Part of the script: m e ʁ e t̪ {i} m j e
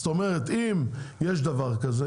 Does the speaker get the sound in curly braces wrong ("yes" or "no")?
no